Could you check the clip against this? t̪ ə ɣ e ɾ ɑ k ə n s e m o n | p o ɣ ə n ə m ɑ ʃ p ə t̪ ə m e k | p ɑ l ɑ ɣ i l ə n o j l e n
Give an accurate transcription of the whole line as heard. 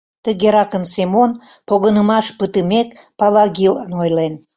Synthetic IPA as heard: t̪ ə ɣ e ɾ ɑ k ə n s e m o n | p o ɣ ə n ə m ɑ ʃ p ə t̪ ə m e k | p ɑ l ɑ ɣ i l ə n o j l e n